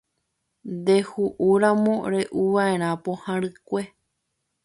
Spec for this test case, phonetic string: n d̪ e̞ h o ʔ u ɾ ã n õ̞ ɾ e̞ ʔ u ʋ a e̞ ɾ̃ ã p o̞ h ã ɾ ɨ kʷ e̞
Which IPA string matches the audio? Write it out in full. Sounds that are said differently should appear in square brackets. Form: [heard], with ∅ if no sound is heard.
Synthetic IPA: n d̪ e̞ h [u] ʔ u ɾ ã [m] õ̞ ɾ e̞ ʔ u ʋ a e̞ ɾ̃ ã p o̞ h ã ɾ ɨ kʷ e̞

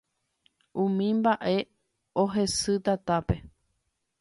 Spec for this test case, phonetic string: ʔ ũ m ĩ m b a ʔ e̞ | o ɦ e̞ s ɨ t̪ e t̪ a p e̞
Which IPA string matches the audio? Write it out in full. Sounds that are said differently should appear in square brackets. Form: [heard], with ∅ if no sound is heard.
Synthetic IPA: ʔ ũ m ĩ m b a ʔ e̞ | o ɦ e̞ s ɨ t̪ [a] t̪ a p e̞

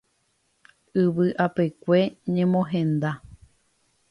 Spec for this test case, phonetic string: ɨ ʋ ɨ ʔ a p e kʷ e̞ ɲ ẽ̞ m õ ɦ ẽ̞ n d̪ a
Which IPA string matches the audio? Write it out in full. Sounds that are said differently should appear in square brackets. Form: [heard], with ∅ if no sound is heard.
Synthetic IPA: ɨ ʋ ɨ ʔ a p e kʷ e̞ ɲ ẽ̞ m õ ɦ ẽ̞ n d̪ a

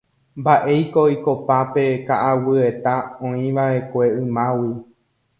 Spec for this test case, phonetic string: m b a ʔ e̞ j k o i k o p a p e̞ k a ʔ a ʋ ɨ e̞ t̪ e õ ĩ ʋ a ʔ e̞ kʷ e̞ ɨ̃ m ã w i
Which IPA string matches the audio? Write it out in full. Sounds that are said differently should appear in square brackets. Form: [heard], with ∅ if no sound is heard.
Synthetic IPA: m b a ʔ e̞ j k o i k o p a p e̞ k a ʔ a [w] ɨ e̞ t̪ [a] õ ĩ ʋ a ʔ e̞ kʷ e̞ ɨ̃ m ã w i

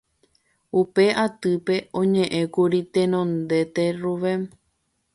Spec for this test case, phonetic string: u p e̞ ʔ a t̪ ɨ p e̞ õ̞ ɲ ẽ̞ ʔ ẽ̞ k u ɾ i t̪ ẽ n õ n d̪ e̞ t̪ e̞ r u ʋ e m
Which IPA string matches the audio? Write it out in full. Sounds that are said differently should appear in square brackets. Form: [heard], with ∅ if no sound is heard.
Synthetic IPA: u p e̞ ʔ a t̪ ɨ p e̞ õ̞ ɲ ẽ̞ ʔ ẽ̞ k u ɾ i t̪ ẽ n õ n d̪ e̞ t̪ e̞ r u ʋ e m

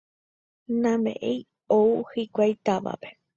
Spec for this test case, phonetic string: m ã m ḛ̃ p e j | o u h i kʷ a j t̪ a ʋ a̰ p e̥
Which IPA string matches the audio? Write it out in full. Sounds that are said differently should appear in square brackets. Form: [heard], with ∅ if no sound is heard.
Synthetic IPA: [n] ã m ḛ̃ [ʔ] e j | o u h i kʷ a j t̪ a ʋ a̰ p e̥

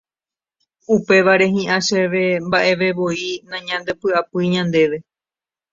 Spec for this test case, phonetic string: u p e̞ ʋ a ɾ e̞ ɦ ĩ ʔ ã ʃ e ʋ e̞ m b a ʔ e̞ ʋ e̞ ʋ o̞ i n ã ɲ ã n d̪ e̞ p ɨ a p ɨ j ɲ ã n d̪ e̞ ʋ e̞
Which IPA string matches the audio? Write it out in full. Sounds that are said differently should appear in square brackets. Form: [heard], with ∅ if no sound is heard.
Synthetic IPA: u p e̞ ʋ a ɾ e̞ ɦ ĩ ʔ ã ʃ e ʋ e̞ m b a ʔ e̞ ʋ e̞ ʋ o̞ i n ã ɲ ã n d̪ e̞ p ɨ a p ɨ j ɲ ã n d̪ e̞ ʋ e̞

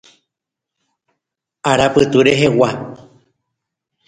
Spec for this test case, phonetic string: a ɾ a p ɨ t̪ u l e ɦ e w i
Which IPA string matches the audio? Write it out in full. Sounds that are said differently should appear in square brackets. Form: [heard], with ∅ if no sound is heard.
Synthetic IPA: a ɾ a p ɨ t̪ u [ɾ] e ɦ e w [a]

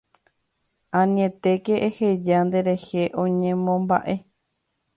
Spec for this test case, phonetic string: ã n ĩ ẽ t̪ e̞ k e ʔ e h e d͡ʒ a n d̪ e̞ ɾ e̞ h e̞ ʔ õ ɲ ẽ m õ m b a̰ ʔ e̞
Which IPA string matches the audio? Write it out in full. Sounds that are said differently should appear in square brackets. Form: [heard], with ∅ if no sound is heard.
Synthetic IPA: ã n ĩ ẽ t̪ e̞ k e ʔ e h e d͡ʒ a n d̪ e̞ ɾ e̞ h e̞ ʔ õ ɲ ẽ m õ m b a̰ ʔ e̞

